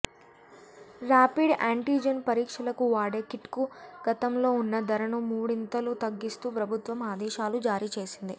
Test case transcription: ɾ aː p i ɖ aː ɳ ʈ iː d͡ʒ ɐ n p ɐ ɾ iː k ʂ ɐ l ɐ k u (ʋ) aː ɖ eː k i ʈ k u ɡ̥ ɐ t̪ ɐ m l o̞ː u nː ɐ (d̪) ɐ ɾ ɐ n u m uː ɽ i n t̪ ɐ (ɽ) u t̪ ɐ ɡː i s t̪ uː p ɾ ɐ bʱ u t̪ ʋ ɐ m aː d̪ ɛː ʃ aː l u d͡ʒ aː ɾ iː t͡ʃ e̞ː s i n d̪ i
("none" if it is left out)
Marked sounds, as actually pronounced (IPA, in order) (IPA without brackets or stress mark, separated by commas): ʋ, d̪, l